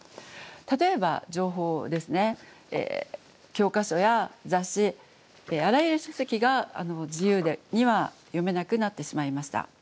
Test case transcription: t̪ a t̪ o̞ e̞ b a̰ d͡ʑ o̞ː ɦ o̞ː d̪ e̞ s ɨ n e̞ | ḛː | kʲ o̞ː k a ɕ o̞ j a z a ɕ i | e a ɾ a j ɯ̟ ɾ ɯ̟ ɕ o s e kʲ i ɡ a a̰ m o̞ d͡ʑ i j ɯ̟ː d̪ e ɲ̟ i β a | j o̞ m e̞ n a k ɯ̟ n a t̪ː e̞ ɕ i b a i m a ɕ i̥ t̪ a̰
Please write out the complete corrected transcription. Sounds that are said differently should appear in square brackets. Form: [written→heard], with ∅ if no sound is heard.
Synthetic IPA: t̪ a t̪ o̞ e̞ b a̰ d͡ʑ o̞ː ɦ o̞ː d̪ e̞ s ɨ n e̞ | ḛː | kʲ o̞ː k a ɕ o̞ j a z a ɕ i | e a ɾ a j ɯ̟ ɾ ɯ̟ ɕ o s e kʲ i ɡ a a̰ [m→n] o̞ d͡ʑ i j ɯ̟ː d̪ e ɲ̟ i β a | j o̞ m e̞ n a k ɯ̟ n a t̪ː e̞ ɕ i [b→m] a i m a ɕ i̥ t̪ a̰